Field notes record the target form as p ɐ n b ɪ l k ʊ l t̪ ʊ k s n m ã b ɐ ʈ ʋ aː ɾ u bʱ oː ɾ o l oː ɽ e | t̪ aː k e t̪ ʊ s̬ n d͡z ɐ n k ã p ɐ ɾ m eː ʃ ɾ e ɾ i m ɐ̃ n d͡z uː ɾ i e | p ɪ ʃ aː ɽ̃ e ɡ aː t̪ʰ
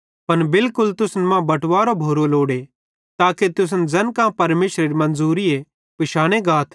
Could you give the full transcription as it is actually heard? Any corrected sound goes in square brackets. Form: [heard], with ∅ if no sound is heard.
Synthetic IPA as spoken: p ɐ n b ɪ l k ʊ l t̪ ʊ [∅] s n m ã b ɐ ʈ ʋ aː ɾ [o] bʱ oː ɾ o l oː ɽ e | t̪ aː k e t̪ ʊ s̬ n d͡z ɐ n k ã p ɐ ɾ m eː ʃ ɾ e ɾ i m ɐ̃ n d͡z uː ɾ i e | p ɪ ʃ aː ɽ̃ e ɡ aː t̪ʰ